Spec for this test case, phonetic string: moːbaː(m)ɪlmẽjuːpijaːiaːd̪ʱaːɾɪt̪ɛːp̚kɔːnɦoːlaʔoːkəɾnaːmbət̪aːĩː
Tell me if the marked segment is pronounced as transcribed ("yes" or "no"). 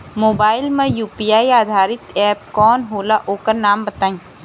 no